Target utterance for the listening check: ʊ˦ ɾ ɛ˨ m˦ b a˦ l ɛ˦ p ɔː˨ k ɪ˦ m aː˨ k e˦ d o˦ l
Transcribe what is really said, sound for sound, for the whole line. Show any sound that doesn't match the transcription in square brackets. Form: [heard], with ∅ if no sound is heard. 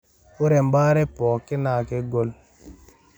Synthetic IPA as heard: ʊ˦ ɾ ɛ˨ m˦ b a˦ [ɾ] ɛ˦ p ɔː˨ k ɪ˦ [n] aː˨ k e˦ [ɡ] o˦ l